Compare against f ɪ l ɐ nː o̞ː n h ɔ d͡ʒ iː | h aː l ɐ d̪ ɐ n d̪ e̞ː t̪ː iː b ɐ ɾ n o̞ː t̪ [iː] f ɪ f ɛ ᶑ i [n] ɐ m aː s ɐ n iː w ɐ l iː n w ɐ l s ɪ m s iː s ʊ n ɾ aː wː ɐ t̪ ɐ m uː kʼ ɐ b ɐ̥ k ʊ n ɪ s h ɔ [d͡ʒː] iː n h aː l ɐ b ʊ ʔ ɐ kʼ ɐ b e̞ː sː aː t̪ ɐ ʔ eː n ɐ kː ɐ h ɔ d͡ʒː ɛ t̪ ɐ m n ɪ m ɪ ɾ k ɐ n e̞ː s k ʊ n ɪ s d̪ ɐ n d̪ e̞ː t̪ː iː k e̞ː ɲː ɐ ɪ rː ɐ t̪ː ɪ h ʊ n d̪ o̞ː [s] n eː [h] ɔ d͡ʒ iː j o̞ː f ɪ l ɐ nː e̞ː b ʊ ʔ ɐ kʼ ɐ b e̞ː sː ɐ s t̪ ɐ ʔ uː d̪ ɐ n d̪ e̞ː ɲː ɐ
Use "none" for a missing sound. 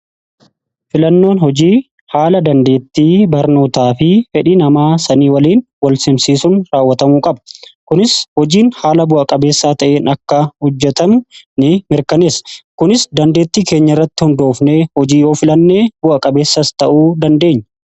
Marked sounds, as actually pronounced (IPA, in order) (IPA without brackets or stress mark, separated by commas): aː, n, d͡ʒ, f, h